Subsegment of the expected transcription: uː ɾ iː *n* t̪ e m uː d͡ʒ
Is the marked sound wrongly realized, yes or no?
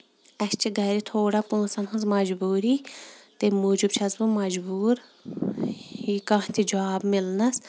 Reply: yes